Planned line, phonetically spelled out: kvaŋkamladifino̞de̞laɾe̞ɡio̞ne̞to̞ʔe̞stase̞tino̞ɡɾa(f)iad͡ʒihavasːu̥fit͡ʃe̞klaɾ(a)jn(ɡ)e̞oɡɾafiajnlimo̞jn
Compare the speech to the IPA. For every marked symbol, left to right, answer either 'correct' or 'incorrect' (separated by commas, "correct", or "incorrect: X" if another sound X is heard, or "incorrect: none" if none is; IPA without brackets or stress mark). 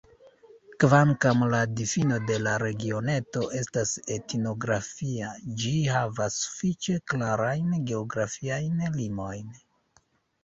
correct, correct, correct